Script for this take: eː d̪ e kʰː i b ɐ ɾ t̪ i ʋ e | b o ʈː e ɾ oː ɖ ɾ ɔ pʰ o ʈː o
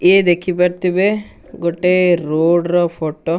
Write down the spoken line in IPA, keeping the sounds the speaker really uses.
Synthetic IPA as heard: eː d̪ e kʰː i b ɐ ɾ t̪ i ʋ e | ɡ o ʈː e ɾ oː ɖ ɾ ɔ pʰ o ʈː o